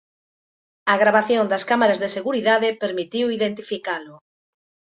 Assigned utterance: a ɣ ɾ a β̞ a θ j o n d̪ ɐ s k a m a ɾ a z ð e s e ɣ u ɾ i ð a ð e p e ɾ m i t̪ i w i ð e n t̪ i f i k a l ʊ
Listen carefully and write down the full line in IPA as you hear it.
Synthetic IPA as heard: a ɣ ɾ a β̞ a θ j o n d̪ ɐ s k a m a ɾ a z ð e s e ɣ u ɾ i ð a ð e p e ɾ m i t̪ i w i ð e n t̪ i f i k a l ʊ